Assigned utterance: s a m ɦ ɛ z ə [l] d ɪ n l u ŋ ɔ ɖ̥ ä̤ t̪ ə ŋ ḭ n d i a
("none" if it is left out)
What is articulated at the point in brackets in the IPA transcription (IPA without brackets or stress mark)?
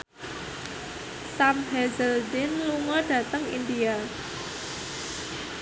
l